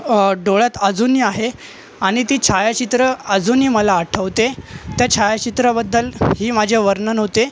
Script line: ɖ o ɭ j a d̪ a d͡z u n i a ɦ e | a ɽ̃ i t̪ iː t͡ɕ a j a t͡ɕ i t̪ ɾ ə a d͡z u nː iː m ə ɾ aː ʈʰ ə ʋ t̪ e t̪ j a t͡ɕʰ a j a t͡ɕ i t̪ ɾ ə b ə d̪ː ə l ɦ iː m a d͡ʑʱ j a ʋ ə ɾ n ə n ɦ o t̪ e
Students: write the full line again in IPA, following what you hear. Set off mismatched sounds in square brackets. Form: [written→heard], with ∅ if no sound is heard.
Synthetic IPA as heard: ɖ o ɭ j a [d̪→t̪] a d͡z u n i a ɦ e | a ɽ̃ i t̪ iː [t͡ɕ→t͡ɕʰ] a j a t͡ɕ i t̪ ɾ ə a d͡z u [nː→n] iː m ə [ɾ→l] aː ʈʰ ə ʋ t̪ e t̪ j a t͡ɕʰ a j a t͡ɕ i t̪ ɾ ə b ə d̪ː ə l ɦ iː m a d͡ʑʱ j a ʋ ə ɾ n ə n ɦ o t̪ e